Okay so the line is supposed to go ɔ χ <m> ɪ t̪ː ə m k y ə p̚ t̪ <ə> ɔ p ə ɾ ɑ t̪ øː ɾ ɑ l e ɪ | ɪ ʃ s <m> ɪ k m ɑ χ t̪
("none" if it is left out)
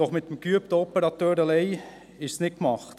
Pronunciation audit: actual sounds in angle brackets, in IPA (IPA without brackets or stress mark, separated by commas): m, ə, n